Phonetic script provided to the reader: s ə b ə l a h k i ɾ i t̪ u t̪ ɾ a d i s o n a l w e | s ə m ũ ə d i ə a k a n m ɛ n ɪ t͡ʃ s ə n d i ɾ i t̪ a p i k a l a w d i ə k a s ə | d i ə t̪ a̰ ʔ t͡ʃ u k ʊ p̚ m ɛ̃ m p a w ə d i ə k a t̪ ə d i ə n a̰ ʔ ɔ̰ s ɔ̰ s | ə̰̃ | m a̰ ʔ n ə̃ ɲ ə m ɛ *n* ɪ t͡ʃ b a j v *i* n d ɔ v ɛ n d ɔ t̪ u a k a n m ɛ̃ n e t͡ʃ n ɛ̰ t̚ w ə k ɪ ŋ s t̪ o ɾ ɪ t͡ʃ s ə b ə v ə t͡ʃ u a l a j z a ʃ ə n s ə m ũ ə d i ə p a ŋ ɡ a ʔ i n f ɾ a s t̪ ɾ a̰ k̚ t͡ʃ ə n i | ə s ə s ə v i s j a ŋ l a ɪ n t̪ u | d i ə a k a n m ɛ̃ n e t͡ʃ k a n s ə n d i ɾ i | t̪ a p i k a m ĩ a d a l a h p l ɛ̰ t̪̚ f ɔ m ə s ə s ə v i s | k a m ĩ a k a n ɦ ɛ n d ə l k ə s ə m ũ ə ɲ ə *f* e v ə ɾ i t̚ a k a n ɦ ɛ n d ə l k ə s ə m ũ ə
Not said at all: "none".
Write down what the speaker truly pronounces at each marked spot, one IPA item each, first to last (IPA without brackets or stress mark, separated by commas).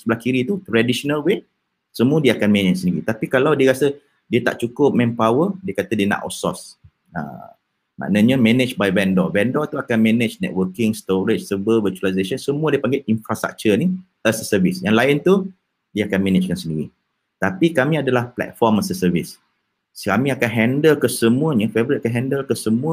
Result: n, ɛ, f